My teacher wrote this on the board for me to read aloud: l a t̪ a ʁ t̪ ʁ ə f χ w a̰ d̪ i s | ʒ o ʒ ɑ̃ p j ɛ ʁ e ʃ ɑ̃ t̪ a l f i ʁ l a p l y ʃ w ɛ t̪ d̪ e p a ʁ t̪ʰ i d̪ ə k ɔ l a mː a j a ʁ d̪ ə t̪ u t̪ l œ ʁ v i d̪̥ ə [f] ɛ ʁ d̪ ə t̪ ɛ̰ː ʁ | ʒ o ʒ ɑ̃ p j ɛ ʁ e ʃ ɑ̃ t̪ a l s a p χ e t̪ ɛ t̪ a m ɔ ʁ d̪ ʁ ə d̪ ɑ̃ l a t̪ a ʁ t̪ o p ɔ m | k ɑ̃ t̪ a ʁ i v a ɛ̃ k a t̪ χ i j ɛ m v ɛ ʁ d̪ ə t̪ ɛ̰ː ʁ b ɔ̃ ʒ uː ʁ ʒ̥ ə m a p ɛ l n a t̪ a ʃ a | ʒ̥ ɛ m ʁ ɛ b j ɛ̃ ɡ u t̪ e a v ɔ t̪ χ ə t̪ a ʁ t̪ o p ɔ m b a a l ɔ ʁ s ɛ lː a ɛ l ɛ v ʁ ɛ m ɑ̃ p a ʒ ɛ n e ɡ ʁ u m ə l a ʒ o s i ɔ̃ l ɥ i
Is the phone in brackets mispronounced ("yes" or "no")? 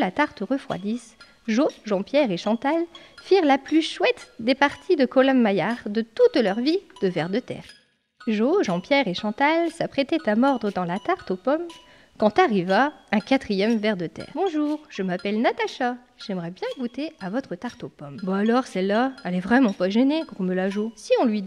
yes